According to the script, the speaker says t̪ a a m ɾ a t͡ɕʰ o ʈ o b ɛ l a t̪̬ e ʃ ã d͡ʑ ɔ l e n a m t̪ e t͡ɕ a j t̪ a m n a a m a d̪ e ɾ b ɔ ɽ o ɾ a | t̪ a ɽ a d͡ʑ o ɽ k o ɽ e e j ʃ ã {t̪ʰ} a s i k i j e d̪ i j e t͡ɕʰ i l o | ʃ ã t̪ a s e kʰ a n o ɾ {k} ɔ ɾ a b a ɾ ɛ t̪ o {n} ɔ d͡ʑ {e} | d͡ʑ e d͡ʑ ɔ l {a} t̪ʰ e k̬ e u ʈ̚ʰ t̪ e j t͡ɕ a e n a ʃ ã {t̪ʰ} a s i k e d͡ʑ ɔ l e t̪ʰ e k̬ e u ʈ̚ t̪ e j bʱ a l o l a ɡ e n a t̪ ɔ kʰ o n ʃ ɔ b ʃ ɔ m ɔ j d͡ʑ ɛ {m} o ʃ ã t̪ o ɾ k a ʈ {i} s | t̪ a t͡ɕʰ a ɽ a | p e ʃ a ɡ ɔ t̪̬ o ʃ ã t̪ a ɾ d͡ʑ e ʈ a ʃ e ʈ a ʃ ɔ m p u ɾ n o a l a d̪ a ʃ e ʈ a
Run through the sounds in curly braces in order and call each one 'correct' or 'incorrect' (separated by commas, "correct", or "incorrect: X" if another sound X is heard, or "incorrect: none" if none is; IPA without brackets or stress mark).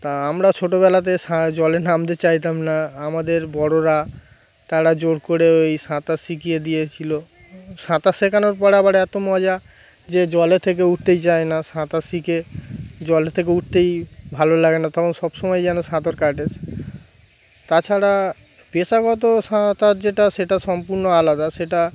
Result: incorrect: t̪, incorrect: p, incorrect: m, incorrect: a, incorrect: e, incorrect: t̪, incorrect: n, incorrect: e